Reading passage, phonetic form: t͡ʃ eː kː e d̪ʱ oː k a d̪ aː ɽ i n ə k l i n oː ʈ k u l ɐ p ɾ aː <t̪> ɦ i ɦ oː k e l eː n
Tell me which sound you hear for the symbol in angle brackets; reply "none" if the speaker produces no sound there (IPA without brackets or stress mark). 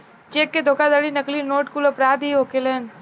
d̪